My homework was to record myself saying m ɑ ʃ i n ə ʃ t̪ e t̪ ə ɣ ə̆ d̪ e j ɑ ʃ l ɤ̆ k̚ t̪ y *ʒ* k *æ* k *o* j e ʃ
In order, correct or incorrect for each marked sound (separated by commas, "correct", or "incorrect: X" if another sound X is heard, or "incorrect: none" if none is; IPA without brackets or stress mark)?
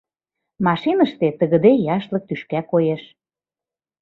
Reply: incorrect: ʃ, correct, correct